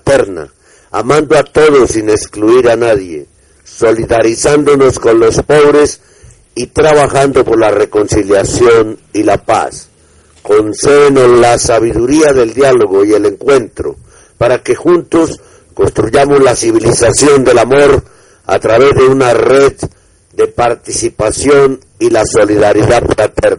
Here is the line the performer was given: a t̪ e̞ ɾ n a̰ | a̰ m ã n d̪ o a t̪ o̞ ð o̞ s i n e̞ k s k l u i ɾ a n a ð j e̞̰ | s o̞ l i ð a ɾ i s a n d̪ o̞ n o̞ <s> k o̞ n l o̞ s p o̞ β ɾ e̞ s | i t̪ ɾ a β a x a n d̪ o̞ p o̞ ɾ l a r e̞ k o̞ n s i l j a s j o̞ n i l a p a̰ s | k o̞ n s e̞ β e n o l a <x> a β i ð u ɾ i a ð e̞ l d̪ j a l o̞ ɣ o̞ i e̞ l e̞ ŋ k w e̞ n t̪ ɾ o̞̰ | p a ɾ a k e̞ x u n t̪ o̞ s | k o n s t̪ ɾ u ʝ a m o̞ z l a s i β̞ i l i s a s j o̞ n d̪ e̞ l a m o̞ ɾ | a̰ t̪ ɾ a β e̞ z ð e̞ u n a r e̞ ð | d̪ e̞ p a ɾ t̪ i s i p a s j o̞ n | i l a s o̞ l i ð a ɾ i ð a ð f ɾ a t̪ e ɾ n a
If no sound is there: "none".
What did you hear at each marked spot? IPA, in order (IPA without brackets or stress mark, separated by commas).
s, s